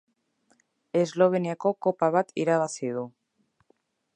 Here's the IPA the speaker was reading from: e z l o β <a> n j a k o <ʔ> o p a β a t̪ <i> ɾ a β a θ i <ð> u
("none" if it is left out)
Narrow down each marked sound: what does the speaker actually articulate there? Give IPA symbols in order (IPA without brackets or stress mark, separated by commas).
e, k, i, ð